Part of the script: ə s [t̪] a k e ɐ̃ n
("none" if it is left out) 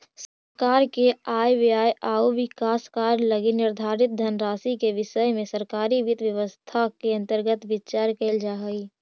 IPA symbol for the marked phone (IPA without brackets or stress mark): t̪ʰ